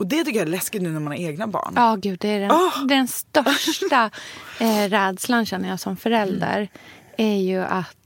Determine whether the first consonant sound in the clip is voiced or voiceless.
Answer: voiced